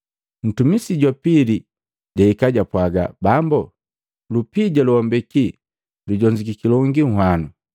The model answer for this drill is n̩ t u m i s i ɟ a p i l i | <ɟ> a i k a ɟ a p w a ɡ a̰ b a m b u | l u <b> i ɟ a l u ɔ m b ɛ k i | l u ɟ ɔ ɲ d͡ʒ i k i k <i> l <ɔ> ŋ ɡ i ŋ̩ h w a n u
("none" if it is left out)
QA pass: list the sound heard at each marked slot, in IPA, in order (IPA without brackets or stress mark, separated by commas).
ɟ, p, i, ɔ